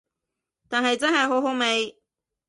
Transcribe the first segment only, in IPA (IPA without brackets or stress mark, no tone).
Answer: t̪